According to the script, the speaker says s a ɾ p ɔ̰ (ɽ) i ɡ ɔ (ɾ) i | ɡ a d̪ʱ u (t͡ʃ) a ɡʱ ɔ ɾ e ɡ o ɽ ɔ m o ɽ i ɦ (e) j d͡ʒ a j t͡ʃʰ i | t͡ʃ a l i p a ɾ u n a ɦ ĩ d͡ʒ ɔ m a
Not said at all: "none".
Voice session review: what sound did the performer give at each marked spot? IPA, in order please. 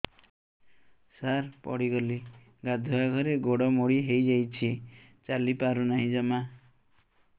ɽ, l, none, e

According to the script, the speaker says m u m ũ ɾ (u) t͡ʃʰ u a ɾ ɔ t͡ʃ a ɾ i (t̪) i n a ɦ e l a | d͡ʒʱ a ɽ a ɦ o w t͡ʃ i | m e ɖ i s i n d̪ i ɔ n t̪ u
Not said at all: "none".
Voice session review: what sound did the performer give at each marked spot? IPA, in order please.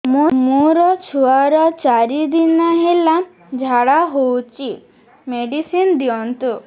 ɔ, d̪

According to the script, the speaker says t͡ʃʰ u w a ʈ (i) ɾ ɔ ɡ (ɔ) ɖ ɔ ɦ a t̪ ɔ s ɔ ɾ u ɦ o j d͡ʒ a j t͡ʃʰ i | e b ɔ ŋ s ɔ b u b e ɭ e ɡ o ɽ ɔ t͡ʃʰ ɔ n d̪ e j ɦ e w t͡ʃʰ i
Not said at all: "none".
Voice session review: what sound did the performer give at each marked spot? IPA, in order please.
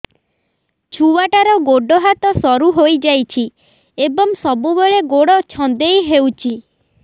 a, o

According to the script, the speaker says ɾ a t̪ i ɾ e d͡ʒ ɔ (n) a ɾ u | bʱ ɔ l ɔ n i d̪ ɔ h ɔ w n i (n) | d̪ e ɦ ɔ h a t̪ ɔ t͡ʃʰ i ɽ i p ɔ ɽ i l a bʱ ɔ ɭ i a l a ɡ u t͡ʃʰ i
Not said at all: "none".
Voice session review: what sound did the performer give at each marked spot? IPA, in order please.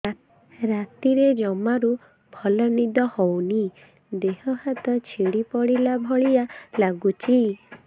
m, none

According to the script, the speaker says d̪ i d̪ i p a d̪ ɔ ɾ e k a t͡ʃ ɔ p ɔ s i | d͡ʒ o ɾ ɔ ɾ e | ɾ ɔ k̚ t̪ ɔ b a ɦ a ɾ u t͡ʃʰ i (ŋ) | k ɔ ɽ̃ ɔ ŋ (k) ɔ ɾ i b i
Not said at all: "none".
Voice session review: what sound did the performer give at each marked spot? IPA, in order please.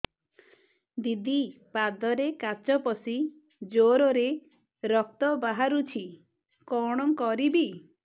none, k

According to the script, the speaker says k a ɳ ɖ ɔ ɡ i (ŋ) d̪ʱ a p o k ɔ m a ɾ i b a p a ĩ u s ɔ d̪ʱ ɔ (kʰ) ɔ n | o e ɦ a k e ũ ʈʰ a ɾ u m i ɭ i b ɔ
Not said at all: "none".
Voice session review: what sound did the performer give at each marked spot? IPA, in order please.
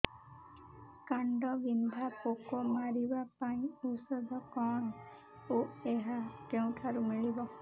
n, k

